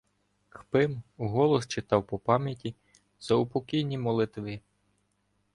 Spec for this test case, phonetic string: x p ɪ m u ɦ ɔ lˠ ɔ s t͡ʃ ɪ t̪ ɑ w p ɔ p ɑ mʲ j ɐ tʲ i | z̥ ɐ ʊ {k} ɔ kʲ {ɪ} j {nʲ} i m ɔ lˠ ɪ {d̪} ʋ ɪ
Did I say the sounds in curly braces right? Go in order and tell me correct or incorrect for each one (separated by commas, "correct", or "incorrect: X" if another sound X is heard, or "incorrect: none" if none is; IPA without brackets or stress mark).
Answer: incorrect: p, incorrect: i, correct, incorrect: t̪